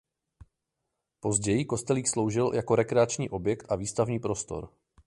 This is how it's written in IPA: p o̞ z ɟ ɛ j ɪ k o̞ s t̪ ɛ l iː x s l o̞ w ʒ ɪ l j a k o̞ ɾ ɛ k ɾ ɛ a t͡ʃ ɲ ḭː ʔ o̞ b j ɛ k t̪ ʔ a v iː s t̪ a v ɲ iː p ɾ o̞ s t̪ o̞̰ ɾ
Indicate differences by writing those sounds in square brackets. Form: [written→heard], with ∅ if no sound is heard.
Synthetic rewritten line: p o̞ z ɟ ɛ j ɪ k o̞ s t̪ ɛ l iː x s l o̞ w ʒ ɪ l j a k o̞ ɾ ɛ k ɾ ɛ a t͡ʃ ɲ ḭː ʔ o̞ b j ɛ k t̪ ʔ a v iː s t̪ a v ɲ iː p ɾ o̞ s t̪ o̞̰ ɾ